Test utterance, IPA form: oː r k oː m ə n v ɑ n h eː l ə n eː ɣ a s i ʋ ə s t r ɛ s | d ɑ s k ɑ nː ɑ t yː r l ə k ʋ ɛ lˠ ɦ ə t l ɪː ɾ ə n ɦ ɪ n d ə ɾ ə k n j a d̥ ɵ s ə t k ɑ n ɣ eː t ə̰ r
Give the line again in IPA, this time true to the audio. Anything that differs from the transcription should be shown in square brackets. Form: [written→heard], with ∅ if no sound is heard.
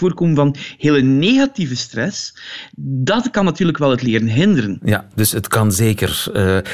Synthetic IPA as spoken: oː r k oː m ə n v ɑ n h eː l ə n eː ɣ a [s→t] i [ʋ→v] ə s t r ɛ s | d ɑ [s→t] k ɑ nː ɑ t yː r l ə k ʋ ɛ lˠ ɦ ə t l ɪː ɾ ə n ɦ ɪ n d ə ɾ ə [k→∅] n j a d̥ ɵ s ə t k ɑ n [ɣ→z] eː [t→k] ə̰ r